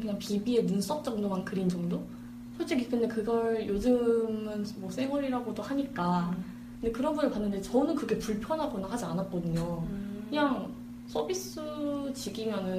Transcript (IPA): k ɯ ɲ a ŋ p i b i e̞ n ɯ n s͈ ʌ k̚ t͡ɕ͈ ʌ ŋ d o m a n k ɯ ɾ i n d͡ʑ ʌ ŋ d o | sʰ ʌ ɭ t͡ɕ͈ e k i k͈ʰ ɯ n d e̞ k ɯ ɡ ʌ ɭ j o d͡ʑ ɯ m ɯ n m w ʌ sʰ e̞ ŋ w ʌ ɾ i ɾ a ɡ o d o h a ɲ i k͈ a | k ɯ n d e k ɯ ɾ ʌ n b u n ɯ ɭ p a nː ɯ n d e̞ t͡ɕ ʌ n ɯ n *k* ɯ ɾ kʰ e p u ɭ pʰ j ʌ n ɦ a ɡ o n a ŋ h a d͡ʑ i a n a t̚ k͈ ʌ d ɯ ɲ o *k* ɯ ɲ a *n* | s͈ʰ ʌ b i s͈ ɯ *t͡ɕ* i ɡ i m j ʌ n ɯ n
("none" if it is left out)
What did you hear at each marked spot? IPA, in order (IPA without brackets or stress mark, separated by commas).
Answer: k, k, ŋ, t͡ɕ